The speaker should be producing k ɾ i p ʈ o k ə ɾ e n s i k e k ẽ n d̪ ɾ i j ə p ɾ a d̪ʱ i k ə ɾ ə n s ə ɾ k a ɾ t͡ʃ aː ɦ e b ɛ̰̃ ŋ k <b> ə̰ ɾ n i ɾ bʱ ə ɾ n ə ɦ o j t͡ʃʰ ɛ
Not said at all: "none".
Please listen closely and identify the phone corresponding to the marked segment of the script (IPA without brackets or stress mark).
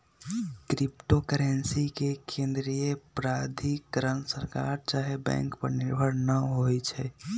p